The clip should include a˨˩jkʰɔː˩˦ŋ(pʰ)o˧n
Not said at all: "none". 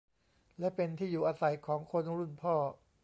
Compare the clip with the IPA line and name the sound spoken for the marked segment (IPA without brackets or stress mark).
kʰ